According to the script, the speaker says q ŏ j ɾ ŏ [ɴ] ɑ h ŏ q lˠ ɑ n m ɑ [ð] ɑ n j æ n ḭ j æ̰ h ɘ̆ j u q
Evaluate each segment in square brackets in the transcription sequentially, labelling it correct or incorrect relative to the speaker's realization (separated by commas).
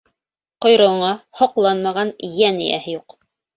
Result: correct, incorrect